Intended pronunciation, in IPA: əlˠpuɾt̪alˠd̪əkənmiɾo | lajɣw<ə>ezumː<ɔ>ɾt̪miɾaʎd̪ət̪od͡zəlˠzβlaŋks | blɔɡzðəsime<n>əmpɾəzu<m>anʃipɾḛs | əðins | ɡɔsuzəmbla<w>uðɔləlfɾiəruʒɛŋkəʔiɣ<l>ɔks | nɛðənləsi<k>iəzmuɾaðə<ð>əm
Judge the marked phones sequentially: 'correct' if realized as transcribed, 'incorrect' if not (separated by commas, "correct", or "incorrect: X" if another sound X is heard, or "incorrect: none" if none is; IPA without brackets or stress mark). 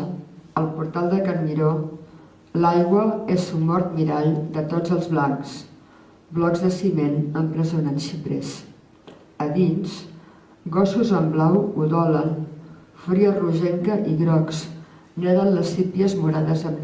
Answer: correct, correct, correct, incorrect: n, correct, incorrect: ɾ, incorrect: p, incorrect: z